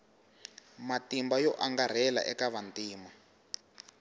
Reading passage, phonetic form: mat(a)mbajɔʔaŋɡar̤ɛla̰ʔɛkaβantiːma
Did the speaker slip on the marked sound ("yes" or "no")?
yes